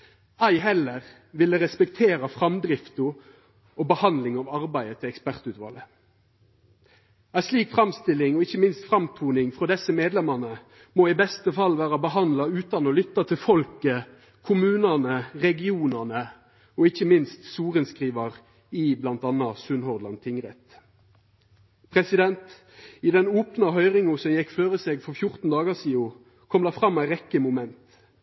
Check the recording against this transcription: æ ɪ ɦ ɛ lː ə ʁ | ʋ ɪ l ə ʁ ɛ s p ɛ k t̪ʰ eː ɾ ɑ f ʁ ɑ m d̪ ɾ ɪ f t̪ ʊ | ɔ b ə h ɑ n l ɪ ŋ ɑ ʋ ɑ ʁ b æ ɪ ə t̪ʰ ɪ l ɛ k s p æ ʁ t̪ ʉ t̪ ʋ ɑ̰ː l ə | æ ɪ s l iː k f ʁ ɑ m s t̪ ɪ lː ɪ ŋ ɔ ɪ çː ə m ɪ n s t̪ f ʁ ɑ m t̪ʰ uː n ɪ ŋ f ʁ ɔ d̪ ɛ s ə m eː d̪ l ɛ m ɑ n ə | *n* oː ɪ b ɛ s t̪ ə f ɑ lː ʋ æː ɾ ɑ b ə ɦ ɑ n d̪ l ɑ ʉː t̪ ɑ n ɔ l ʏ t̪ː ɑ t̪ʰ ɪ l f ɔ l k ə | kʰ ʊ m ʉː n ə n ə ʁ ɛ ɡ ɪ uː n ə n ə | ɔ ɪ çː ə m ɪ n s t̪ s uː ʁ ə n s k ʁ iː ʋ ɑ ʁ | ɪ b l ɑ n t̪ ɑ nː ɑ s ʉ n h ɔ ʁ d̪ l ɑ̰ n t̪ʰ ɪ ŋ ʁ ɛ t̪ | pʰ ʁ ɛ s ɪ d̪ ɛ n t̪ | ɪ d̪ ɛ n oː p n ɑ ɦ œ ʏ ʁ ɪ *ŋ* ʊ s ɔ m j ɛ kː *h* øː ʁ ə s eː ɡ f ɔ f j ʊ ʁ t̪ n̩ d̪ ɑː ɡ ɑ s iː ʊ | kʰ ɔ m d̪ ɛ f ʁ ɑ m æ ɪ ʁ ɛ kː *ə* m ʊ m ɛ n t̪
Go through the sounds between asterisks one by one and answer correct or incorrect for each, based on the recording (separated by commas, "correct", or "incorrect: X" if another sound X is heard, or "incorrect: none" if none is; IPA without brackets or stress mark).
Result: incorrect: m, correct, incorrect: f, correct